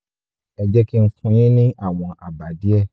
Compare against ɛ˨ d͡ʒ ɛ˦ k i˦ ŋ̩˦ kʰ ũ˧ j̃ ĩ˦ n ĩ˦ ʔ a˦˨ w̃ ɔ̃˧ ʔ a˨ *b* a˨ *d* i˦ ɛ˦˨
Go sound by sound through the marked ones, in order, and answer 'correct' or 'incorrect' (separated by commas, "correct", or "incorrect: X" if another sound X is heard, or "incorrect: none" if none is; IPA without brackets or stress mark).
correct, correct